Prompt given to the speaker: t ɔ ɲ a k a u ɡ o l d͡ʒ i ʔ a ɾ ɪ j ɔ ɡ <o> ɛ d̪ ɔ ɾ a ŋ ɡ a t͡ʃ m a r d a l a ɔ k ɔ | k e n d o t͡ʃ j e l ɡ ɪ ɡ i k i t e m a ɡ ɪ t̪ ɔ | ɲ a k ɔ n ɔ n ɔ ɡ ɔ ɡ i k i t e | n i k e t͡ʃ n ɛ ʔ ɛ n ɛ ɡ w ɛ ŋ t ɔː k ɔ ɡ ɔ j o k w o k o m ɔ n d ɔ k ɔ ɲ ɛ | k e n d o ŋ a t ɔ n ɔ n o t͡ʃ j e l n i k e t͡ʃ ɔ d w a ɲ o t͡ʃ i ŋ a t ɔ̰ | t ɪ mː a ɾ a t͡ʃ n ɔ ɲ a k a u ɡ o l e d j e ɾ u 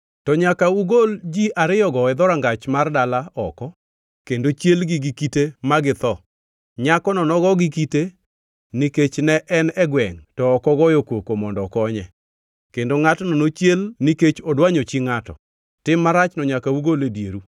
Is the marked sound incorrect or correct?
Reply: incorrect